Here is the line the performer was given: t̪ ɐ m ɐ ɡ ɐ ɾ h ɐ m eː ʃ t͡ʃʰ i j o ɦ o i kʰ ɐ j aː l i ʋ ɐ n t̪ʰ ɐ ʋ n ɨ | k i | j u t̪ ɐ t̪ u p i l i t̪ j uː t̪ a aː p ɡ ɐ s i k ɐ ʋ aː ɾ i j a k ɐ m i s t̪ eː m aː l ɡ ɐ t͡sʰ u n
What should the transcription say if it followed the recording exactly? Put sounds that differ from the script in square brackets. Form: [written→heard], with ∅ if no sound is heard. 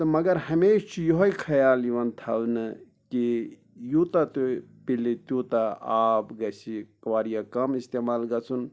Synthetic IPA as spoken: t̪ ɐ m ɐ ɡ ɐ ɾ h ɐ m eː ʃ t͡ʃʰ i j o ɦ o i kʰ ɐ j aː l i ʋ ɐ n t̪ʰ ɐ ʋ n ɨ | k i | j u t̪ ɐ t̪ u p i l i t̪ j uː t̪ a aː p ɡ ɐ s i k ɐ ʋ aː ɾ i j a k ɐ m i s t̪ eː m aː l ɡ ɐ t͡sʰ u n

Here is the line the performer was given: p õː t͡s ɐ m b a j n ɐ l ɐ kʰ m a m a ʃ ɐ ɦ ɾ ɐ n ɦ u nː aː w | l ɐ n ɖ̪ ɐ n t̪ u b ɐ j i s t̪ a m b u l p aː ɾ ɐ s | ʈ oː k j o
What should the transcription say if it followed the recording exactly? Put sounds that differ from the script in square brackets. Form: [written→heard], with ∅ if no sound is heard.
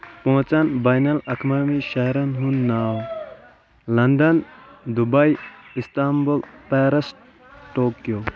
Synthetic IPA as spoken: p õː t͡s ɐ [m→n] b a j n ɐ l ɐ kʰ m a m [a→i] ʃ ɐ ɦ ɾ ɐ n ɦ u nː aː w | l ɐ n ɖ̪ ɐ n [t̪→d̪] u b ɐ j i s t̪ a m b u l p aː ɾ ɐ s | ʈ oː k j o

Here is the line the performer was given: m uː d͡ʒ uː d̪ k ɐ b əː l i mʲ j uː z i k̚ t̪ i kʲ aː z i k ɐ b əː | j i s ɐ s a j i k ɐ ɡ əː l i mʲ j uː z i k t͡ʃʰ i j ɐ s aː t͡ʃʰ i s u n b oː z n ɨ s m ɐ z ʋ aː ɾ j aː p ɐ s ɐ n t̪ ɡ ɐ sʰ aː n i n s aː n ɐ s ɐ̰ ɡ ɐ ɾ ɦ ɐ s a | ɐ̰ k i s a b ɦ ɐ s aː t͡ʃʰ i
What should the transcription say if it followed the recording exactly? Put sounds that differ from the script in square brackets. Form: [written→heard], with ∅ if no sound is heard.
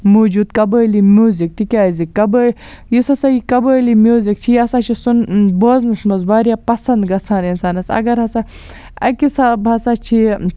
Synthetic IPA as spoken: m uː d͡ʒ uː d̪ k ɐ b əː l i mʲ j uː z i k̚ t̪ i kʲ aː z i k ɐ b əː | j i s ɐ s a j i k ɐ [ɡ→b] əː l i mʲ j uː z i k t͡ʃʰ i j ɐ s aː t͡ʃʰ i s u n b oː z n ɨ s m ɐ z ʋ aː ɾ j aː p ɐ s ɐ n [t̪→d̪] ɡ ɐ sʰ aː n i n s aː n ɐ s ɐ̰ ɡ ɐ ɾ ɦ ɐ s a | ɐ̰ k i s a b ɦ ɐ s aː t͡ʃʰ i

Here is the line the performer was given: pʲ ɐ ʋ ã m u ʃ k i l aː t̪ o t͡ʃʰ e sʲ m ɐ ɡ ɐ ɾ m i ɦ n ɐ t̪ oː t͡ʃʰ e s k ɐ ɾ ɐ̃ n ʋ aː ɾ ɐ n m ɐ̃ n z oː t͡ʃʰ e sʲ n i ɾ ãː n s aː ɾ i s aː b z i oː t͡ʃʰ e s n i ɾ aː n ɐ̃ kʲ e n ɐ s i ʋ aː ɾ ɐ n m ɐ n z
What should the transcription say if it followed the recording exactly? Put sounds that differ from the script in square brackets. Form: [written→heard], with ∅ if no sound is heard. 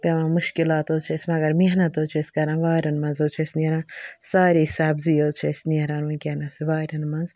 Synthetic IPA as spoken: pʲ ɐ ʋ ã m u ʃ k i l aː t̪ o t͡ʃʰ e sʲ m ɐ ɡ ɐ ɾ m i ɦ n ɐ t̪ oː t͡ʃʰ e s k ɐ ɾ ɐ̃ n ʋ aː ɾ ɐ n m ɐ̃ n z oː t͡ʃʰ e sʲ n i ɾ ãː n s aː ɾ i s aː b z i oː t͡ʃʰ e s n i ɾ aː n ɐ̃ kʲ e n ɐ s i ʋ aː ɾ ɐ n m ɐ n z

